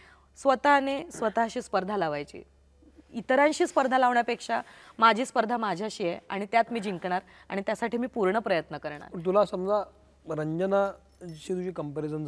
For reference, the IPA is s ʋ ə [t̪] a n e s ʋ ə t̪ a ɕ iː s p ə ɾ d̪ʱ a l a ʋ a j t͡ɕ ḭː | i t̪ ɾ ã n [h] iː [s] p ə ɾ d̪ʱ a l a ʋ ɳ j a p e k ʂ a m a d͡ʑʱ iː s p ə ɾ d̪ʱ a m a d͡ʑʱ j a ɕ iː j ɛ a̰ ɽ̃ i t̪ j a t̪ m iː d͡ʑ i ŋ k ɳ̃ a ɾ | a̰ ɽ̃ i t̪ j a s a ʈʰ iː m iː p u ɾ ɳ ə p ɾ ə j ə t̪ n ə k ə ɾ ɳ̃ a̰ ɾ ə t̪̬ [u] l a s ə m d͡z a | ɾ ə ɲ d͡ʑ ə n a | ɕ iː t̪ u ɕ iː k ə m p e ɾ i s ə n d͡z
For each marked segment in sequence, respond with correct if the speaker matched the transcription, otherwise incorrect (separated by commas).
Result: correct, incorrect, correct, correct